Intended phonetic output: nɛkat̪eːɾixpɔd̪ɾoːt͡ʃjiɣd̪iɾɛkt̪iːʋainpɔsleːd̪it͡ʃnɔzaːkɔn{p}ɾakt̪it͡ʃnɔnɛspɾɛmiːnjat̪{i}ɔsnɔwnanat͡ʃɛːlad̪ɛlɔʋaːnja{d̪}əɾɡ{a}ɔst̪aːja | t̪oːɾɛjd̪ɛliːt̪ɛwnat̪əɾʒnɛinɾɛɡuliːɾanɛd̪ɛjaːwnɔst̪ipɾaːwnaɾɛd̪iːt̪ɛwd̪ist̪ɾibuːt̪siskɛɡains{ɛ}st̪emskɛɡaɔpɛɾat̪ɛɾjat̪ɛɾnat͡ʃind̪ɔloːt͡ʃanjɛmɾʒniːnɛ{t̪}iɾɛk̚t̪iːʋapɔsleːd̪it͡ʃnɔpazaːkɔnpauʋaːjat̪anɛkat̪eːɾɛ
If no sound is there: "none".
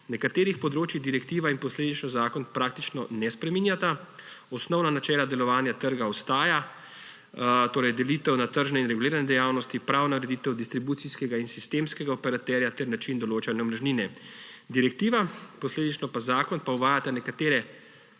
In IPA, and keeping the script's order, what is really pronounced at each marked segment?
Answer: p, a, t̪, a, i, d̪

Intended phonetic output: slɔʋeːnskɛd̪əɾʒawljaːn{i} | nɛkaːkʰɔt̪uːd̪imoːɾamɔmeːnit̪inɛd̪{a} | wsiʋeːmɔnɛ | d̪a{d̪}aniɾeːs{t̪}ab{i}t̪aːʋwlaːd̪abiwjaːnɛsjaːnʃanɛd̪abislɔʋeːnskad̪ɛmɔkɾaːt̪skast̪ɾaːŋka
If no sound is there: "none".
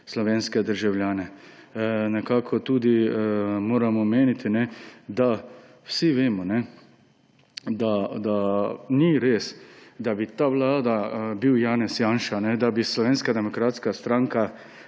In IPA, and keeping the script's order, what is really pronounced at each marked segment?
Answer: ɛ, a, d̪, d̪, i

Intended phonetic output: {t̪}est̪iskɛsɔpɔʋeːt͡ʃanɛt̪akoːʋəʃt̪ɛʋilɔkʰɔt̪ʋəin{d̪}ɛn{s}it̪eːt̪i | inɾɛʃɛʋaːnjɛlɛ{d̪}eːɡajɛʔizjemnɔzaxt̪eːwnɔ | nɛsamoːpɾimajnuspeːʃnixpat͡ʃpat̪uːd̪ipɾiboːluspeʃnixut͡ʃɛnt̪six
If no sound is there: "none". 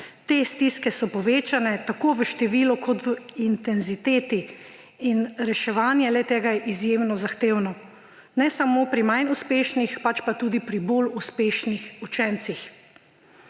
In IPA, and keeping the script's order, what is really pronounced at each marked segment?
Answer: t̪, t̪, z, t̪

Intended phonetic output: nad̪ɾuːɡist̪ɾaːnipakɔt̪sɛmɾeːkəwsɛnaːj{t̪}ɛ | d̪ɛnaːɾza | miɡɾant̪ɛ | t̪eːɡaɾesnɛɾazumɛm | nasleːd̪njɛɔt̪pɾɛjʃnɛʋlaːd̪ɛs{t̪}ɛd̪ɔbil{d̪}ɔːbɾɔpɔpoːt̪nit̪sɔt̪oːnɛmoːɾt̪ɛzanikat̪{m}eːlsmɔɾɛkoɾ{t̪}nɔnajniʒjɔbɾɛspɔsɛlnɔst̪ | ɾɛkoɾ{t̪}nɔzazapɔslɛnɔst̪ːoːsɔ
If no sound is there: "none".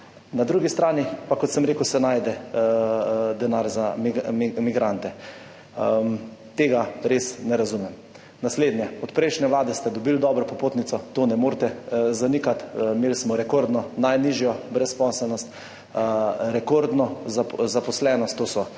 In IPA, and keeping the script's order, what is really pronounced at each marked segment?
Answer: d̪, t̪, d̪, m, d̪, d̪

